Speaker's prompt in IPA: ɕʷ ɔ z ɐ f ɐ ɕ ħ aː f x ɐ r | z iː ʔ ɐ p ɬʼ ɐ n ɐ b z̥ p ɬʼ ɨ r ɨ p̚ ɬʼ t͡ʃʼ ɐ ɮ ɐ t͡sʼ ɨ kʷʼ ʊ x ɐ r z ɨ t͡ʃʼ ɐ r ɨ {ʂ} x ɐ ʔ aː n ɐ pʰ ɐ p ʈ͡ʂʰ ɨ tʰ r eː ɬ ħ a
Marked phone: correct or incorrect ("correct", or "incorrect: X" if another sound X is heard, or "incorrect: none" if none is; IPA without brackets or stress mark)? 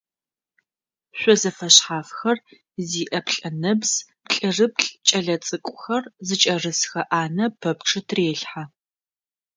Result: incorrect: s